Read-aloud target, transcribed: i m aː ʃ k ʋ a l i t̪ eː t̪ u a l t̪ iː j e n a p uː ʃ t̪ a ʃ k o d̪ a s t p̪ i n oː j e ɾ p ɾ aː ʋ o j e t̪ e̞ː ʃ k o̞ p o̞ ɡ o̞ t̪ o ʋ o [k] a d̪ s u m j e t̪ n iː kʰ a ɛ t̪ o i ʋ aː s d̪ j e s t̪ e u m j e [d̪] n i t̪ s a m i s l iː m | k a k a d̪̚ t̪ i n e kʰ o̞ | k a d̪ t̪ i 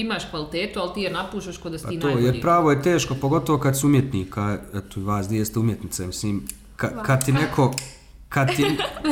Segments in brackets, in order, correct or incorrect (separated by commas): correct, incorrect